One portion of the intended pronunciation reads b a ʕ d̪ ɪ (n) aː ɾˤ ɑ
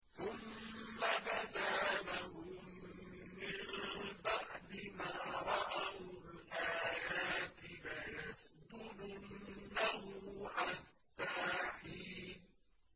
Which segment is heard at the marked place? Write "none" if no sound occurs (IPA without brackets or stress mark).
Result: m